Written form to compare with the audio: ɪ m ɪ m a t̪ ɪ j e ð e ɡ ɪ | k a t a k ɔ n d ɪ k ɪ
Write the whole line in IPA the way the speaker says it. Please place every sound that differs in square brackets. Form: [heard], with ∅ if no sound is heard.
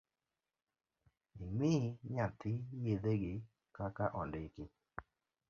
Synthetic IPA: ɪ m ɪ [ɲ] a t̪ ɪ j e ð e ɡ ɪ | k a [k] a [ʔ] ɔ n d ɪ k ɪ

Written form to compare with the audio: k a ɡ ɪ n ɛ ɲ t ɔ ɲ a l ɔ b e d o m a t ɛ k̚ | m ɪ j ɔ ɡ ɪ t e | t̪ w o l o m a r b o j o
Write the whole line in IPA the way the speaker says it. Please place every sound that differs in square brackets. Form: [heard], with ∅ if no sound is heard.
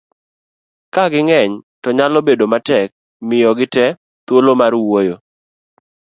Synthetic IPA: k a ɡ ɪ [ŋ] ɛ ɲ t ɔ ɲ a l ɔ b e d o m a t ɛ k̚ | m ɪ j ɔ ɡ ɪ t [ɛ] | t̪ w o l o m a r [w] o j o

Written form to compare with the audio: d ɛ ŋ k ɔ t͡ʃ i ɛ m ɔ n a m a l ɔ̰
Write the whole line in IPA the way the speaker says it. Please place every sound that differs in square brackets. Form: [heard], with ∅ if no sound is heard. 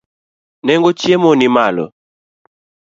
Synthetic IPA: [n] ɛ ŋ [ɡ] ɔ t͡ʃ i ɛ m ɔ n [i] m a l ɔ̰

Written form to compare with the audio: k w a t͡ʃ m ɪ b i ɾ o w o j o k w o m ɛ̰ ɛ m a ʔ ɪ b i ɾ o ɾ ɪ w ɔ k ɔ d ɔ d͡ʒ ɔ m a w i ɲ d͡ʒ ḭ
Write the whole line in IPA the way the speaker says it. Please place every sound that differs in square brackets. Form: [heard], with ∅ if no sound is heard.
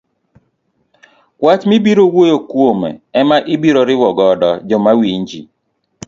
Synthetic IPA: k w a t͡ʃ m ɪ b i ɾ o w o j o k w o m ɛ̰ ɛ m a ʔ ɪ b i ɾ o ɾ ɪ w ɔ [ɡ] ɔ d ɔ d͡ʒ ɔ m a w i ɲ d͡ʒ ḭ

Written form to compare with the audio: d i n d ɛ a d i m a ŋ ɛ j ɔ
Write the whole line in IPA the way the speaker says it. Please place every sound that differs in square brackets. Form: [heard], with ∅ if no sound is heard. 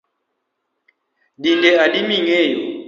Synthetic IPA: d i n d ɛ a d i m [i] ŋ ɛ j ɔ

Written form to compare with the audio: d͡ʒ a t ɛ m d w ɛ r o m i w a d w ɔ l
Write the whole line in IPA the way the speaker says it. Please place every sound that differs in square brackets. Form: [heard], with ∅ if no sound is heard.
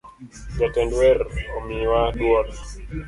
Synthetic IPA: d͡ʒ a t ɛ [n] d w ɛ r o m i w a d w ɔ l

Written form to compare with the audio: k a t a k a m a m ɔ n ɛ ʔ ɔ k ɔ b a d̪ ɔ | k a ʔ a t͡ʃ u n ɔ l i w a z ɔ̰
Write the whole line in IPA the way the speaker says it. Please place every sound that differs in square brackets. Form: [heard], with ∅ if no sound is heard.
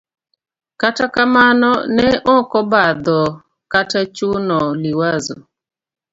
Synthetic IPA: k a t a k a m a [n] ɔ n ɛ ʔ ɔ k ɔ b a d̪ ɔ | k a [t] a t͡ʃ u n ɔ l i w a z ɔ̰

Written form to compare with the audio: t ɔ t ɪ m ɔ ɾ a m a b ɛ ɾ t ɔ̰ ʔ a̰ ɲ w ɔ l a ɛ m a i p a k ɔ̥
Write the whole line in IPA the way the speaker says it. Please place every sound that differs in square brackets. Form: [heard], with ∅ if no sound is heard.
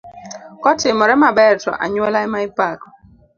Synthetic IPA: [k] ɔ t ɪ m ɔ ɾ [ɛ] m a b ɛ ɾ t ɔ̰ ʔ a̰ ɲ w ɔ l a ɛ m a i p a k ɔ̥

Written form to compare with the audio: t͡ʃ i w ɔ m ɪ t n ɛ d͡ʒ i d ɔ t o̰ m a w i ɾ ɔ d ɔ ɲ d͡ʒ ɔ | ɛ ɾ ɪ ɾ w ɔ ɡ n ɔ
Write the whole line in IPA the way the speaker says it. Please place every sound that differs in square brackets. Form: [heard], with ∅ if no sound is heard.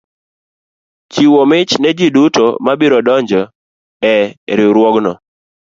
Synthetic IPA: t͡ʃ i w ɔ m ɪ [t͡ʃ] n ɛ d͡ʒ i d [u] t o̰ m a [b] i ɾ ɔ d ɔ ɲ d͡ʒ ɔ | ɛ ɾ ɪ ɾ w ɔ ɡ n ɔ

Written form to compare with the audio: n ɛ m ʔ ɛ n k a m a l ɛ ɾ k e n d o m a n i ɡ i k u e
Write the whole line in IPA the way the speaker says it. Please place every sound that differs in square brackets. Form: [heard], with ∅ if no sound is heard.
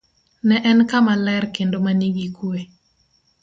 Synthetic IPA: n ɛ [∅] ʔ ɛ n k a m a l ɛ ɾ k e n d o m a n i ɡ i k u e

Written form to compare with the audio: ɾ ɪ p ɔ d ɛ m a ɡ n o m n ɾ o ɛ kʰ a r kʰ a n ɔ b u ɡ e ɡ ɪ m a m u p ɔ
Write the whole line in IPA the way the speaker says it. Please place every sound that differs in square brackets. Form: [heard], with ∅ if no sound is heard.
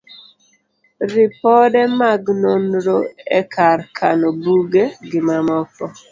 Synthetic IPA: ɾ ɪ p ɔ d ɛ m a ɡ n o [∅] n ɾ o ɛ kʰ a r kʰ a n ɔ b u ɡ e ɡ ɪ m a m [ɔ] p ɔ

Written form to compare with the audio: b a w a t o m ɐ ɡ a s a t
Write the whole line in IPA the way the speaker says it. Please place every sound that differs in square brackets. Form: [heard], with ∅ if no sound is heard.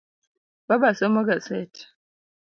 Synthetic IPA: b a [b] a [s] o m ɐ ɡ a s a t

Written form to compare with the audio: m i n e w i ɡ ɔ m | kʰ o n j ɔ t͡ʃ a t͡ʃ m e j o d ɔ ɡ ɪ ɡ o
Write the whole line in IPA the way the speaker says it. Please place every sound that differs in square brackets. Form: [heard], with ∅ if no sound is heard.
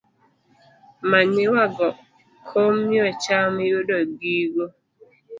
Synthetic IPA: m [a] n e w [a] ɡ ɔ [∅] | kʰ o [m] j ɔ t͡ʃ a [∅] m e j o d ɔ ɡ [i] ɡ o

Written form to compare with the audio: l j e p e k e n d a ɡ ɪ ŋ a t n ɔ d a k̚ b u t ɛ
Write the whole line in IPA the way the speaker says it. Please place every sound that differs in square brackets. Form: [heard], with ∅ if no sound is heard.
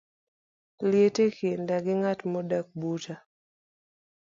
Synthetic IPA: l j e [t] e k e n d a ɡ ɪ ŋ a t [m] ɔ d a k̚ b u t [a]

